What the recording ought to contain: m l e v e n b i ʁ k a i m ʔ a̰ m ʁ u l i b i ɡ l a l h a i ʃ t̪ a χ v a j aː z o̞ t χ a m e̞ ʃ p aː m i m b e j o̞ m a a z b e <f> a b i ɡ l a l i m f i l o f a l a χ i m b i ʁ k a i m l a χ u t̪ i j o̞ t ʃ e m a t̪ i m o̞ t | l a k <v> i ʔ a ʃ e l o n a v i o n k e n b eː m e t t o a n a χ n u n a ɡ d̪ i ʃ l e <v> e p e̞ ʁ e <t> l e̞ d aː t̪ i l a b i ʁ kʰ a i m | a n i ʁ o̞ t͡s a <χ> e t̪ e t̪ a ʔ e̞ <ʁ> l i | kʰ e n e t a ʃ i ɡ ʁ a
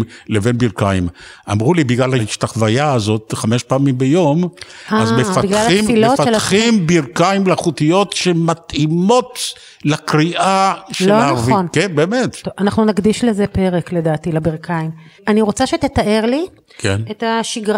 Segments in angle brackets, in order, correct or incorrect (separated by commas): correct, incorrect, incorrect, incorrect, incorrect, correct